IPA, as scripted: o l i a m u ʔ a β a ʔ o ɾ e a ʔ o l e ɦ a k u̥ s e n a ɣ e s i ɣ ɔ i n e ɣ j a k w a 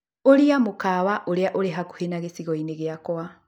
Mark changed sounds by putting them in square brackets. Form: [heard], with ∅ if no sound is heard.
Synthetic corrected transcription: o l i a m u [k] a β a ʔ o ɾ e a ʔ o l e ɦ a k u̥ [h] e n a ɣ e s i ɣ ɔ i n e ɣ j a k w a